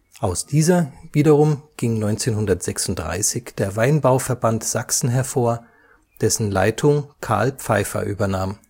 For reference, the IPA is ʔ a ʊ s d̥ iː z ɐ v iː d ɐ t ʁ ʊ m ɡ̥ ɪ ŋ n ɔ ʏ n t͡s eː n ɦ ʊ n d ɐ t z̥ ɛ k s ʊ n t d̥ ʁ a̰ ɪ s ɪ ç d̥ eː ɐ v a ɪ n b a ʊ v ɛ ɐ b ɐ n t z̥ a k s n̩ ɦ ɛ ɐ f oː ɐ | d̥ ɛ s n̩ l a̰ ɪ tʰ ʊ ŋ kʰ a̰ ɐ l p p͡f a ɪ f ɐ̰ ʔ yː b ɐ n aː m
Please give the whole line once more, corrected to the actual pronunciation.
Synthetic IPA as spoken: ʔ a ʊ s d̥ iː z ɐ v iː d ɐ ʁ ʊ m ɡ̥ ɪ ŋ n ɔ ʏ n t͡s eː n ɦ ʊ n d ɐ t z̥ ɛ k s ʊ n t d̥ ʁ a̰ ɪ s ɪ ç d̥ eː ɐ v a ɪ n b a ʊ f ɛ ɐ b a n t z̥ a k s n̩ ɦ ɛ ɐ f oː ɐ | d̥ ɛ s n̩ l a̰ ɪ tʰ ʊ ŋ kʰ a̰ ɐ l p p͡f a ɪ f ɐ̰ ʔ yː b ɐ n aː m